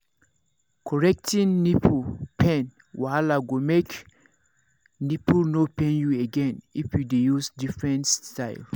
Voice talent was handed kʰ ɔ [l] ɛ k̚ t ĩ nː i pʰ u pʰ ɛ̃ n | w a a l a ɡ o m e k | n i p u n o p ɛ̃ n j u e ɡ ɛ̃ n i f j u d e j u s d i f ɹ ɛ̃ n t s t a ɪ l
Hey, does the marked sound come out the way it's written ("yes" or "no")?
no